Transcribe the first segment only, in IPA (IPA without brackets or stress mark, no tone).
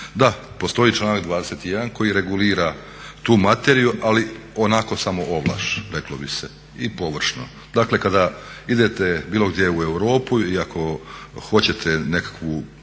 d̪